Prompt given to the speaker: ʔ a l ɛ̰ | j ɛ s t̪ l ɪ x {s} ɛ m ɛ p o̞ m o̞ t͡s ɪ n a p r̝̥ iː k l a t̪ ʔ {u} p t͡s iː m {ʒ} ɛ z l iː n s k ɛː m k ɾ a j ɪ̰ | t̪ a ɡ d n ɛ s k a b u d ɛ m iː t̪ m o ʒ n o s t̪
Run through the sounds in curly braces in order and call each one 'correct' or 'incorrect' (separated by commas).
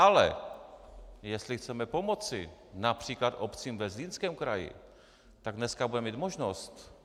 incorrect, incorrect, incorrect